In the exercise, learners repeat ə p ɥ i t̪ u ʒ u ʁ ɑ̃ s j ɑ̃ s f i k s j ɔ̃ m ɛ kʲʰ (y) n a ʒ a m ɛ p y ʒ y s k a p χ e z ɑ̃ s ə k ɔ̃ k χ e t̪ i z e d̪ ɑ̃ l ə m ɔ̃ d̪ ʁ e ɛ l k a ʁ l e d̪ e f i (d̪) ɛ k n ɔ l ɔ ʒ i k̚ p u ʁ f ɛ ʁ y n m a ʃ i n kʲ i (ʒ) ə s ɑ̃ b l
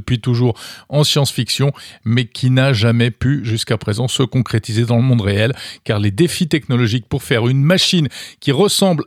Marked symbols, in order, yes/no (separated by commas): no, no, no